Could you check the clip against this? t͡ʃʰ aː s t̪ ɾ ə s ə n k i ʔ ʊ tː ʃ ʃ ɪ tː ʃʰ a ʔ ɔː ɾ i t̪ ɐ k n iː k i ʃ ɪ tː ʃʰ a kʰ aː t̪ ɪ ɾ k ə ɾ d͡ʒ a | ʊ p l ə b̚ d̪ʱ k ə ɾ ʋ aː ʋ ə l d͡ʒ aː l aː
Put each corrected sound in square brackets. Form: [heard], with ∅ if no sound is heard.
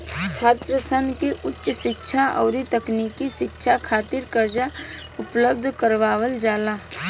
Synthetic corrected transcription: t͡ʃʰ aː [∅] t̪ ɾ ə s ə n k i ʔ ʊ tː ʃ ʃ ɪ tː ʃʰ a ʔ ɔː ɾ i t̪ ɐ k n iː k i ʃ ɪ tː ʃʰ a kʰ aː t̪ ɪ ɾ k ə ɾ d͡ʒ a | ʊ p l ə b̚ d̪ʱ k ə ɾ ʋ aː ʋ ə l d͡ʒ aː l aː